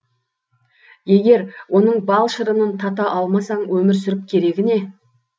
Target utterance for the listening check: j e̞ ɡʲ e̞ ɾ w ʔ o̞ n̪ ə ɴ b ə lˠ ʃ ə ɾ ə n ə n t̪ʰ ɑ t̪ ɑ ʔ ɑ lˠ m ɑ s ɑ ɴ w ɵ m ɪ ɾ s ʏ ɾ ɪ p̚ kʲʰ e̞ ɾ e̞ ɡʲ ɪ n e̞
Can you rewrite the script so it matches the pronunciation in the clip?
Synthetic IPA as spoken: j e̞ ɡʲ e̞ ɾ w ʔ o̞ n̪ ə ɴ b ɑ lˠ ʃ ə ɾ ə n ə n t̪ʰ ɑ t̪ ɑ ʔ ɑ lˠ m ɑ s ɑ ɴ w ɵ m ɪ ɾ s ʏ ɾ ɪ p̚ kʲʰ e̞ ɾ e̞ ɡʲ ɪ n e̞